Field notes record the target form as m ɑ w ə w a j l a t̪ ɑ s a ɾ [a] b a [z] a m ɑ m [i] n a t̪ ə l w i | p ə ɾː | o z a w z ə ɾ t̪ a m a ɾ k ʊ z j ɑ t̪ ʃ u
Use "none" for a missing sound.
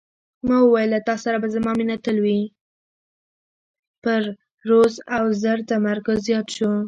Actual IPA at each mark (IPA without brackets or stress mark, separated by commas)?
a, z, i